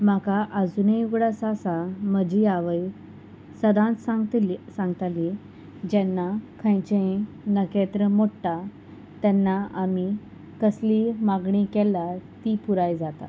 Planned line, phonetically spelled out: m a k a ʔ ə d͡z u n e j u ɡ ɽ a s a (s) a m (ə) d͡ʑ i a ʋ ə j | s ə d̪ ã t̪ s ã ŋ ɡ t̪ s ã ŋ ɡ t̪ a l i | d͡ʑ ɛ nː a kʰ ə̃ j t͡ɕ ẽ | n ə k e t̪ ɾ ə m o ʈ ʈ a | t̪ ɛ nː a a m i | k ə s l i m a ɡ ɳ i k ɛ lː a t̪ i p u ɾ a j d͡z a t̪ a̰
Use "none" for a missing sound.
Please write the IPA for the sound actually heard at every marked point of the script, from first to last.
s, ə

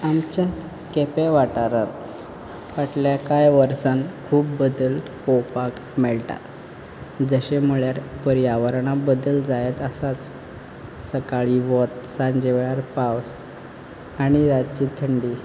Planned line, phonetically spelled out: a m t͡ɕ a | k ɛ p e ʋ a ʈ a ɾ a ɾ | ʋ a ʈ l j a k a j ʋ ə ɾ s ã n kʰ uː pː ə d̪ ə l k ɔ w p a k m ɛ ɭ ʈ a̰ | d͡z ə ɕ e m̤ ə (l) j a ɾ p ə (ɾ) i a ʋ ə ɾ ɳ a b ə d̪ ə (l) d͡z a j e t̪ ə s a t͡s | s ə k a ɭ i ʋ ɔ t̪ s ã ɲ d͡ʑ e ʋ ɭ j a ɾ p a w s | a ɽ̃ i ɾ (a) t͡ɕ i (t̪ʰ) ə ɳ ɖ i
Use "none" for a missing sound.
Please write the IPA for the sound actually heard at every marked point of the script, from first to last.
ɭ, ɾ, l, a, t̪ʰ

